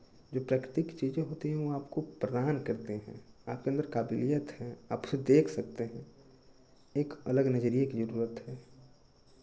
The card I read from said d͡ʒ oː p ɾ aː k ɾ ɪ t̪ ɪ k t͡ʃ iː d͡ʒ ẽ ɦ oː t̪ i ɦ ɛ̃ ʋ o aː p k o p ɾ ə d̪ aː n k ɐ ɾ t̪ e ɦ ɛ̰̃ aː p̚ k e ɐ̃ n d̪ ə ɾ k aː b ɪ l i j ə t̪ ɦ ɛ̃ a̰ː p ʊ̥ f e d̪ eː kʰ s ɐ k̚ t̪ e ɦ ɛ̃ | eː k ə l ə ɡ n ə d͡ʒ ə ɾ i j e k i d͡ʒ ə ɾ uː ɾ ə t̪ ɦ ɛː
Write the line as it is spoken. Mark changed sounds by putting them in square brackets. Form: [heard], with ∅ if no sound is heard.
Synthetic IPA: d͡ʒ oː p ɾ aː k ɾ ɪ t̪ ɪ k t͡ʃ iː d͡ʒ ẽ ɦ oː t̪ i ɦ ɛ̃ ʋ o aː p k o p ɾ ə d̪ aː n k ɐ ɾ t̪ e ɦ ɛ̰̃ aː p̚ k e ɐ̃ n d̪ ə ɾ k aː b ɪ l i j ə t̪ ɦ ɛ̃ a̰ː p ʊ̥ [s] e d̪ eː kʰ s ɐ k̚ t̪ e ɦ ɛ̃ | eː k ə l ə ɡ n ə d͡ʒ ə ɾ i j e k i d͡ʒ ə ɾ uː ɾ ə t̪ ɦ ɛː